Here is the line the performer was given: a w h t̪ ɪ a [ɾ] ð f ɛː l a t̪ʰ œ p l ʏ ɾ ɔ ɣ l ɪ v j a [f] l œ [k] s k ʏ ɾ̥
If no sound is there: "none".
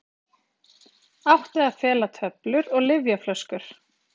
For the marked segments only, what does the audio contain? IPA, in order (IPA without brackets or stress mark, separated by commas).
none, f, none